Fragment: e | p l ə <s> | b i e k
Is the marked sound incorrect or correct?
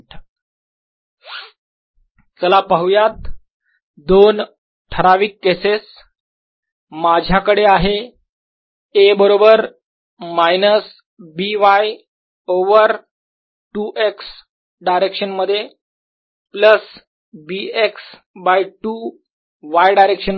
correct